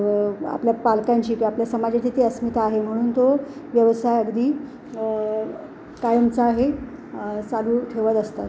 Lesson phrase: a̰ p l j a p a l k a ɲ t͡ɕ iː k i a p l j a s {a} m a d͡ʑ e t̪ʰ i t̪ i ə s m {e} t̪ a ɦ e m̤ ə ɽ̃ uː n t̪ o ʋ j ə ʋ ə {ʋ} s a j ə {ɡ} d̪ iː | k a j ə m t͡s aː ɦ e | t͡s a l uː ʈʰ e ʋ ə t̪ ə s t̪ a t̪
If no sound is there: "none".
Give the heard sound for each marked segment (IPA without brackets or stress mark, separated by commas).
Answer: ə, i, none, ɡ